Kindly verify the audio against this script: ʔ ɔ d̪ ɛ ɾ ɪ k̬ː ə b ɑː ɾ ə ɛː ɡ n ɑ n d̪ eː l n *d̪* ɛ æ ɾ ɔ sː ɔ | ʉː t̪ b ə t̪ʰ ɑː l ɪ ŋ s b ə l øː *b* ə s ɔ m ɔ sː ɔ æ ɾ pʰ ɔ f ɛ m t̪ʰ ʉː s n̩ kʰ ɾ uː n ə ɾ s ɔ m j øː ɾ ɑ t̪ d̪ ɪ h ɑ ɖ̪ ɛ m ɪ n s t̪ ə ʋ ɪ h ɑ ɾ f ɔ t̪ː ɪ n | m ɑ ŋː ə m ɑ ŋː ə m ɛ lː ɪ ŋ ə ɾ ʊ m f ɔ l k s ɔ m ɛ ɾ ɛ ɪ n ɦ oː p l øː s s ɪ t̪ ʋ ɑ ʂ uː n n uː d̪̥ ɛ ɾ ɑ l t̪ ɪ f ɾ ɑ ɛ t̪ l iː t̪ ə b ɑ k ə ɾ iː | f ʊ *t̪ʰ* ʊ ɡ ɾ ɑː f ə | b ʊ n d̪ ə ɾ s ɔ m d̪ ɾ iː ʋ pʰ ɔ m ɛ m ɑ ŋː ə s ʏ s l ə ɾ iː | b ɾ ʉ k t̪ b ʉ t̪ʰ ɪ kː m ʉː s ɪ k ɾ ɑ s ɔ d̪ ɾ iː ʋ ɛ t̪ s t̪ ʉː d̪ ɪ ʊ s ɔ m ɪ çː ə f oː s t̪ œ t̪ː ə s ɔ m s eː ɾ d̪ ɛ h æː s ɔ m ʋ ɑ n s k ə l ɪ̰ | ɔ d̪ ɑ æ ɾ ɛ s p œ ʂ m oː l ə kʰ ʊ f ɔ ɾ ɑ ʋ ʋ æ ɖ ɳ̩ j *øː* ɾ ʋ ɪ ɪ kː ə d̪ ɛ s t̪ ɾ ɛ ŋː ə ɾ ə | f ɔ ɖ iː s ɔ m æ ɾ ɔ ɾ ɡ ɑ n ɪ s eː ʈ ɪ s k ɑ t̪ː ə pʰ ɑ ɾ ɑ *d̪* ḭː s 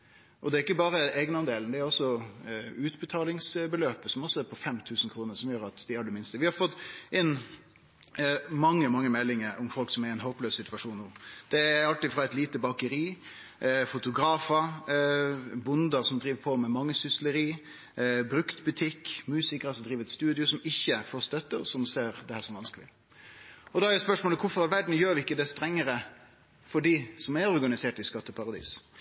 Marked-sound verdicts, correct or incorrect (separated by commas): correct, incorrect, incorrect, correct, correct